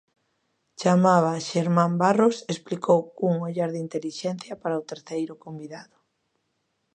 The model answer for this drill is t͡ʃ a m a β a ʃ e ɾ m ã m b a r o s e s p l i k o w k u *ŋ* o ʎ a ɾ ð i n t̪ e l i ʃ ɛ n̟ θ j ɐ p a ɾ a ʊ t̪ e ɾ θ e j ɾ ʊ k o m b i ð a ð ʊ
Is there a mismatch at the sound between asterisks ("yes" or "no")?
no